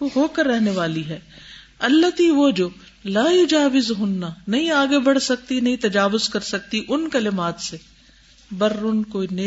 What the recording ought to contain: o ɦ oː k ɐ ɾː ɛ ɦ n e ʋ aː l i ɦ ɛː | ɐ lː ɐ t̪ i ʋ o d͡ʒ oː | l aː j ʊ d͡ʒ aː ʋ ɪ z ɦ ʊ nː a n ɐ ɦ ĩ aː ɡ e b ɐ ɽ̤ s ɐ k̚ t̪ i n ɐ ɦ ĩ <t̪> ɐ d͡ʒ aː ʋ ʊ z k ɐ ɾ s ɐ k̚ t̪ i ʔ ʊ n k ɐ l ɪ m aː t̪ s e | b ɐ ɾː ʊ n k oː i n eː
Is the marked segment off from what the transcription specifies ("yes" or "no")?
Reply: no